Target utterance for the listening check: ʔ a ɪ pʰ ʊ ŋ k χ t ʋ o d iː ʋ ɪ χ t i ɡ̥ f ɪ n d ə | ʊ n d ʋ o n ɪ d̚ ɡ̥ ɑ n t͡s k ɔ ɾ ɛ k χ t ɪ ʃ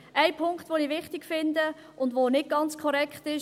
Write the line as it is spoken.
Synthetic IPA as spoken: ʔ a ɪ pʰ ʊ ŋ k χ t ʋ o n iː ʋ ɪ χ t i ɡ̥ f ɪ n d ə | ʊ n d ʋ o n ɪ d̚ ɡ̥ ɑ n t͡s kʰ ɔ ɾ ɛ k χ t ɪ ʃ